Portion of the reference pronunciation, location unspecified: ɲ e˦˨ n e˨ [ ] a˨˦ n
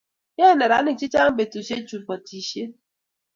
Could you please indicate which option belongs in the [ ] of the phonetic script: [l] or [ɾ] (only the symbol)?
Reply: ɾ